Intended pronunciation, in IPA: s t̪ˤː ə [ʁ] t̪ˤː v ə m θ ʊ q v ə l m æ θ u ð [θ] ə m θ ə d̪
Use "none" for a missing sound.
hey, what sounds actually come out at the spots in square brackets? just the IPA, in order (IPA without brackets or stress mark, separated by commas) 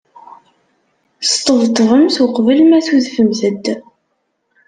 v, f